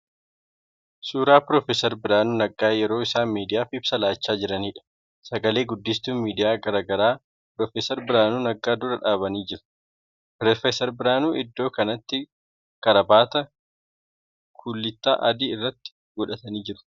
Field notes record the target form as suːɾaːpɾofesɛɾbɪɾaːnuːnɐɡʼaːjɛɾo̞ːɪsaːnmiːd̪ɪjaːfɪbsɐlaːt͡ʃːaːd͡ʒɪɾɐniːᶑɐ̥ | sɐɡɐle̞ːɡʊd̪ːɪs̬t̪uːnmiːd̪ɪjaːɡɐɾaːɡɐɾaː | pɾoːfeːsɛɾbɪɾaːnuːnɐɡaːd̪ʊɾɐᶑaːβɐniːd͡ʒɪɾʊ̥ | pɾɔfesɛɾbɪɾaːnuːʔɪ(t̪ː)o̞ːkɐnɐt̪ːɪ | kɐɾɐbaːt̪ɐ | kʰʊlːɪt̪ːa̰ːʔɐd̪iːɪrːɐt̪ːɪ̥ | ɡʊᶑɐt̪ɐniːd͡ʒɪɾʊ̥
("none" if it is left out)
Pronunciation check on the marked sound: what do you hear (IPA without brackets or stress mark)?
d̪ː